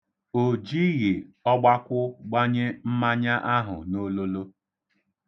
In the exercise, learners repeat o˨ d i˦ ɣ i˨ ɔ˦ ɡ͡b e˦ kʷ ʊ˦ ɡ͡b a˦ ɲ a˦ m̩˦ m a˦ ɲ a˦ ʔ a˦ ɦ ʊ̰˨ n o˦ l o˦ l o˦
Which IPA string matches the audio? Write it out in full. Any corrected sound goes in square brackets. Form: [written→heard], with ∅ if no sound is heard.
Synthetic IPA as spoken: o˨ [d→d͡ʒ] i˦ ɣ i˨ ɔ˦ ɡ͡b [e˦→a˦] kʷ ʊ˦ ɡ͡b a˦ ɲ [a˦→e˦] m̩˦ m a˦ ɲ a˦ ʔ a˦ ɦ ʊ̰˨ n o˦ l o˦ l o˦

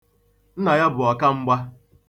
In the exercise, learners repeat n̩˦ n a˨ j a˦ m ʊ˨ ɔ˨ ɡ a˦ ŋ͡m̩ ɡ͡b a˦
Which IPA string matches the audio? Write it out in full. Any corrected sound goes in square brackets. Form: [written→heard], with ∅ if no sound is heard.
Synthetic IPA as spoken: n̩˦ n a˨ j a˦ [m→b] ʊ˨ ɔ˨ [ɡ→k] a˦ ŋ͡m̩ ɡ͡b a˦

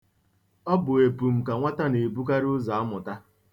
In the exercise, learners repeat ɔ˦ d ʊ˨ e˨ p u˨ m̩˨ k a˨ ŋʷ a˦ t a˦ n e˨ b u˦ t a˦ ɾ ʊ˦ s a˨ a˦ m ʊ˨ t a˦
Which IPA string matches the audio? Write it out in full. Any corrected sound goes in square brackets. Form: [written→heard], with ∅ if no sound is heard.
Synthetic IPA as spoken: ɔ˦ [d→b] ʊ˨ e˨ p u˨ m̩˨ k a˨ ŋʷ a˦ t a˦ n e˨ b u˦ [t→k] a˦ ɾ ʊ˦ [s→z] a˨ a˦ m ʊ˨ t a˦

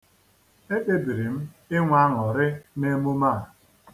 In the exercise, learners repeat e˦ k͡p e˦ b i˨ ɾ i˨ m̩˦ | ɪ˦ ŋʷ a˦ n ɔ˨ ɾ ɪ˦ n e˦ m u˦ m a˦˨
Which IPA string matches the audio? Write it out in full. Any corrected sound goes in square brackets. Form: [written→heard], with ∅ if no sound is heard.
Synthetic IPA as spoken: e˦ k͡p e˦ b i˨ ɾ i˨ m̩˦ | ɪ˦ ŋʷ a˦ [n→ŋ] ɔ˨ ɾ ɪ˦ n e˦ m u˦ m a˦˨

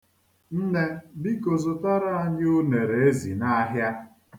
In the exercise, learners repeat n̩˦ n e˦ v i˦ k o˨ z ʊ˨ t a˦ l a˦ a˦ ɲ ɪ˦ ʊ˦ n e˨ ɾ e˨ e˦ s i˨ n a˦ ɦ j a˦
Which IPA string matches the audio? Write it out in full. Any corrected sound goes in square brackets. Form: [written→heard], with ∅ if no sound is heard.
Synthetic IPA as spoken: n̩˦ n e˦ [v→b] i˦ k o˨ z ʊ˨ t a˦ [l→ɾ] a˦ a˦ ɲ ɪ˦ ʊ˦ n e˨ ɾ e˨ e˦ [s→z] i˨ n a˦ ɦ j a˦

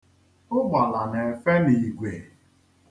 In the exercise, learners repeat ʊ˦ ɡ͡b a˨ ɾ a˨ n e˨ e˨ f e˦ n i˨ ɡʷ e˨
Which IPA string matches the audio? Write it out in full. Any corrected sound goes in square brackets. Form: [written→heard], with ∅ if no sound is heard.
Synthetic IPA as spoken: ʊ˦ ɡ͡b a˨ [ɾ→l] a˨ n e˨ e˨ f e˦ n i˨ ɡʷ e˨

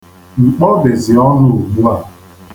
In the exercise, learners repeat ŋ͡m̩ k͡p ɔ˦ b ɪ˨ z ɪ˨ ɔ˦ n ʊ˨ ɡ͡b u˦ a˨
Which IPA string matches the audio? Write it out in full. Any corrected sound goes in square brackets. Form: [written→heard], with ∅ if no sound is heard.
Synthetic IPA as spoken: ŋ͡m̩ k͡p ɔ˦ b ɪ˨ z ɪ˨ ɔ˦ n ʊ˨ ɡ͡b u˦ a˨

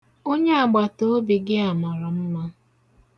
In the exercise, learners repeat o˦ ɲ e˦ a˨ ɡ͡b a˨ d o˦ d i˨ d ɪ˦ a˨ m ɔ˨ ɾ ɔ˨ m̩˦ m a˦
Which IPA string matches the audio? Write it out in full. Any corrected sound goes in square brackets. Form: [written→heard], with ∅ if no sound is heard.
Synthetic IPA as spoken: o˦ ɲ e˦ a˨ ɡ͡b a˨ [d→t] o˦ [d→b] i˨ [d→ɡ] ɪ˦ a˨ m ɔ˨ ɾ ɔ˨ m̩˦ m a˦

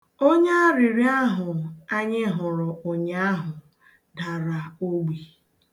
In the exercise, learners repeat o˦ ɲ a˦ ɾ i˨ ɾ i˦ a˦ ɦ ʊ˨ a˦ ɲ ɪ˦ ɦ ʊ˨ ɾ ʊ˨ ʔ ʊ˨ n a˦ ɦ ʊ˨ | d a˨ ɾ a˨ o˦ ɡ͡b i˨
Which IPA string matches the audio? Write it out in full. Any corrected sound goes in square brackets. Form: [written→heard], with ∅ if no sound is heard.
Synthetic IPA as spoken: o˦ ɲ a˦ ɾ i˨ ɾ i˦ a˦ ɦ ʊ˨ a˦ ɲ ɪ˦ ɦ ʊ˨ ɾ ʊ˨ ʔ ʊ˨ [n→ɲ] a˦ ɦ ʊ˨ | d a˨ ɾ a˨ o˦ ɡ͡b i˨

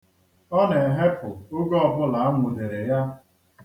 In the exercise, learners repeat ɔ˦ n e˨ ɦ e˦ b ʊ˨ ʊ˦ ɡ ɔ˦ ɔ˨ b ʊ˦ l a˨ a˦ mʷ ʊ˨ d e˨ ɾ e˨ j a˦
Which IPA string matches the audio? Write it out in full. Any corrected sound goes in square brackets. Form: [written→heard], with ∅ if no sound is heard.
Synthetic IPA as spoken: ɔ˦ n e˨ ɦ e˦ [b→p] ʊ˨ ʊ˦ ɡ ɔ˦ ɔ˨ b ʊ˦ l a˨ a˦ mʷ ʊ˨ d e˨ ɾ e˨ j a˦

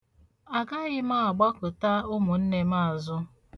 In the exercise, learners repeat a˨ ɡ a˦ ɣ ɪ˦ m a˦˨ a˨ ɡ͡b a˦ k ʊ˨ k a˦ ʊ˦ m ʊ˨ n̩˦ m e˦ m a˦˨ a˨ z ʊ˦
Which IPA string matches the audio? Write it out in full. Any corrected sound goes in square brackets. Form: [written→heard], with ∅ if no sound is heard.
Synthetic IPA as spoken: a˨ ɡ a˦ ɣ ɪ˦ m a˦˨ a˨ ɡ͡b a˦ k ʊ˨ [k→t] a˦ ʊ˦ m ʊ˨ n̩˦ [m→n] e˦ m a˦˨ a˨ z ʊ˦

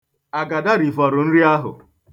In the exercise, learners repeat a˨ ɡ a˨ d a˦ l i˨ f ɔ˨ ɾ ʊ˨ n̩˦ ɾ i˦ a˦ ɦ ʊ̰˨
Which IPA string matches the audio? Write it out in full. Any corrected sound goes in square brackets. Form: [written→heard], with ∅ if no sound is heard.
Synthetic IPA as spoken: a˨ ɡ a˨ d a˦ [l→ɾ] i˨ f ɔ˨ ɾ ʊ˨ n̩˦ ɾ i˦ a˦ ɦ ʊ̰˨

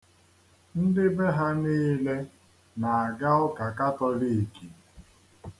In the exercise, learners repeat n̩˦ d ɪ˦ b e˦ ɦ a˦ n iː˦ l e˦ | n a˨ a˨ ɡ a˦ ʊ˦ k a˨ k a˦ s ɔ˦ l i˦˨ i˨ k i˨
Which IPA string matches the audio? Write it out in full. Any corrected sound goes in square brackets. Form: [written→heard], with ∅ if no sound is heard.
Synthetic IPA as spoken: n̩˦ d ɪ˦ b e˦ ɦ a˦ n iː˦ l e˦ | n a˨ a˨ ɡ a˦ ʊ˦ k a˨ k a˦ [s→t] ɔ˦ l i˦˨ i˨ k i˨

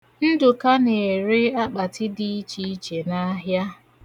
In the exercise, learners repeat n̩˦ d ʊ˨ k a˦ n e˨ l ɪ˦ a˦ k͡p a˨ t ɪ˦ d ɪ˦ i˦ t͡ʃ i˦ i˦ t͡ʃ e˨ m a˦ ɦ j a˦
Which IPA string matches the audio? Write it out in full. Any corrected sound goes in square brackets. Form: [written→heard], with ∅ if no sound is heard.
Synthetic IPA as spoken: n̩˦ d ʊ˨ k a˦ n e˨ [l→ɾ] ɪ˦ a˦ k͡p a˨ t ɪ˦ d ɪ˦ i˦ t͡ʃ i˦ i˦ t͡ʃ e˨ [m→n] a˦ ɦ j a˦

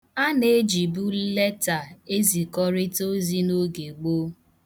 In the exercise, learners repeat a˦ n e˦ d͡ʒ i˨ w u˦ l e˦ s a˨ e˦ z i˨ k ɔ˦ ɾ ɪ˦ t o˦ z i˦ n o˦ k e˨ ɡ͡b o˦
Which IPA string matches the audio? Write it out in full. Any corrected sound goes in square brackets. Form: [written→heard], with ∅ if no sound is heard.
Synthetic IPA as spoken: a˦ n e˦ d͡ʒ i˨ [w→b] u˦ l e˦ [s→t] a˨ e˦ z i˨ k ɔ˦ ɾ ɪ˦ t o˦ z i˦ n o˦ [k→ɡ] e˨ ɡ͡b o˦

